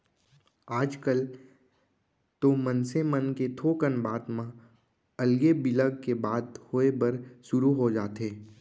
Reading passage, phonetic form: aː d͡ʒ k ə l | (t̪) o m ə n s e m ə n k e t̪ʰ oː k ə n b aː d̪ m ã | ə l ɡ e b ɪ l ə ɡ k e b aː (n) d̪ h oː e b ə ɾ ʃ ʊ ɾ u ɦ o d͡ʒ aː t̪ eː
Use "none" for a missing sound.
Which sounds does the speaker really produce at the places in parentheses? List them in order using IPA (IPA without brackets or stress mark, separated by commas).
t̪, none